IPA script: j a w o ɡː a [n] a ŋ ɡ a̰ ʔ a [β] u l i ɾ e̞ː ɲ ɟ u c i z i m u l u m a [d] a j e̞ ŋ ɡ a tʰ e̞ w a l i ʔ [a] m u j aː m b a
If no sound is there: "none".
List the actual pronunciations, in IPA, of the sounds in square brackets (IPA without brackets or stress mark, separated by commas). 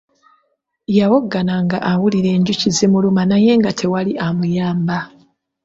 n, w, n, a